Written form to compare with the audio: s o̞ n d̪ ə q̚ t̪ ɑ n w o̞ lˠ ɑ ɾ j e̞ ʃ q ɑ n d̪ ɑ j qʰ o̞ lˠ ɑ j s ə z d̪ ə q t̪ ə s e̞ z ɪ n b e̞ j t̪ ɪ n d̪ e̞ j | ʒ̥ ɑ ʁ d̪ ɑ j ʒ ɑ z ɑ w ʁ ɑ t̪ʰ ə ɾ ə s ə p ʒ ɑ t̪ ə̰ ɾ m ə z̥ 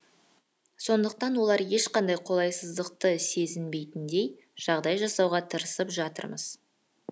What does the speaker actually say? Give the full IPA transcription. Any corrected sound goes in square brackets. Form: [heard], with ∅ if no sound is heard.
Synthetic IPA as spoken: s o̞ n d̪ ə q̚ t̪ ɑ n w o̞ lˠ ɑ ɾ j e̞ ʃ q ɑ n d̪ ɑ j qʰ o̞ lˠ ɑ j s ə z d̪ ə q t̪ ə s e̞ z ɪ n b e̞ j t̪ ɪ n d̪ e̞ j | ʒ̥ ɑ ʁ d̪ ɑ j ʒ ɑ [s] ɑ w ʁ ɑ t̪ʰ ə ɾ ə s ə p ʒ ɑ t̪ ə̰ ɾ m ə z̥